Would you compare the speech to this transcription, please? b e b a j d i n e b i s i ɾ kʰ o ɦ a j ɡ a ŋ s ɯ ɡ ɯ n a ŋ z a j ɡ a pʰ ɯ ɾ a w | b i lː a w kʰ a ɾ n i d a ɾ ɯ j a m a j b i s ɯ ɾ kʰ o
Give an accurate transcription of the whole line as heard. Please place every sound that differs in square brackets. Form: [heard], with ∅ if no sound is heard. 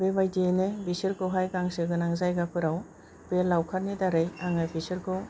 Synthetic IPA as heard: b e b a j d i n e b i s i ɾ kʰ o ɦ a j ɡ a ŋ s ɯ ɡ ɯ n a ŋ z a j ɡ a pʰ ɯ ɾ a w | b [e] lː a w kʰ a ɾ n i d a ɾ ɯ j a [ŋ] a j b i s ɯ ɾ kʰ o